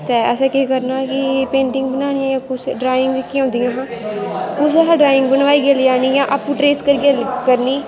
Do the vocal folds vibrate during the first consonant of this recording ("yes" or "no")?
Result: no